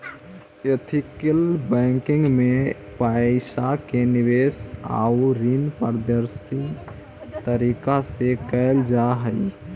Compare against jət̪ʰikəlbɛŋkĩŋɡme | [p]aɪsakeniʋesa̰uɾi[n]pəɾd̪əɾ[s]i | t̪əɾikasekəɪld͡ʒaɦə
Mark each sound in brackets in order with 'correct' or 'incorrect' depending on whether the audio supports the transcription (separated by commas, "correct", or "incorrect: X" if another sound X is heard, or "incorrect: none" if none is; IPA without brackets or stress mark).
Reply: correct, correct, correct